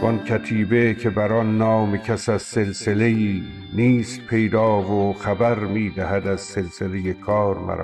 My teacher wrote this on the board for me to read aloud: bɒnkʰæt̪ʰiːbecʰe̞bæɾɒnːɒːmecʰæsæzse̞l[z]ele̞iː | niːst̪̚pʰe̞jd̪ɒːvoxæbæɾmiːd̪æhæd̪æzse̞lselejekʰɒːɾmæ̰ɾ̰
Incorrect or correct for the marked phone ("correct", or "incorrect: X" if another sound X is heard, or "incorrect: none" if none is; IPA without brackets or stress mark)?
incorrect: s